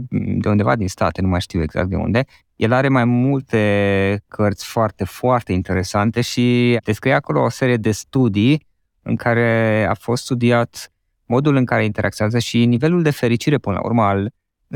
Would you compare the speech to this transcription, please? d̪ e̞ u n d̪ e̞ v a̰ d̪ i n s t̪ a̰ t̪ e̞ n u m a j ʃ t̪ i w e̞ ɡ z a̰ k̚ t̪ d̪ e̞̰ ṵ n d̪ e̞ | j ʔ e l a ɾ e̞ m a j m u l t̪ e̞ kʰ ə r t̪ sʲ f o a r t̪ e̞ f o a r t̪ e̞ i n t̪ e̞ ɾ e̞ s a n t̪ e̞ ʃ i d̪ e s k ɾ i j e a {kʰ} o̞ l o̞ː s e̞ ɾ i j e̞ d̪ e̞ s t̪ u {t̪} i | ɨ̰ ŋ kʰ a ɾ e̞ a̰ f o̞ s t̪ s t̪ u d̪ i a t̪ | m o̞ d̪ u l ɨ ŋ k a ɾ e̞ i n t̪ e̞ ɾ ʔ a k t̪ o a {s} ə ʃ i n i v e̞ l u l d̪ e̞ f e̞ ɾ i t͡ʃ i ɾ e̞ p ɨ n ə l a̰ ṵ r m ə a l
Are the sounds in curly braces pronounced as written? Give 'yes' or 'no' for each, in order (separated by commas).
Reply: no, no, no